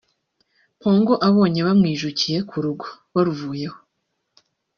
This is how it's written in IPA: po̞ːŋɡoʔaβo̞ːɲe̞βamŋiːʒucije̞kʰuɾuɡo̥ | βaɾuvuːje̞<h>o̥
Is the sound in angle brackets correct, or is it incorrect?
correct